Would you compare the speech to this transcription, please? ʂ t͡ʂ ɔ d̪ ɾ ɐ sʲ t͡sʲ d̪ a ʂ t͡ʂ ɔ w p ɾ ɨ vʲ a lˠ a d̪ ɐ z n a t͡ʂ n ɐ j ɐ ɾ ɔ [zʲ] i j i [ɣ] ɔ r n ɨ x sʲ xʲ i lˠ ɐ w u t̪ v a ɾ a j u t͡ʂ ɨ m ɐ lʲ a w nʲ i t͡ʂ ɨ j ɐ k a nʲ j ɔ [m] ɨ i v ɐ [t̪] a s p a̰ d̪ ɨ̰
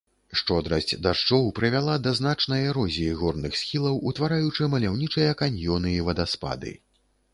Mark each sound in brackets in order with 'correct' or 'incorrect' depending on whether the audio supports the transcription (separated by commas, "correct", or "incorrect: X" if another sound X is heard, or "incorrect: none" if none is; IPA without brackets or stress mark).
correct, correct, incorrect: n, incorrect: d̪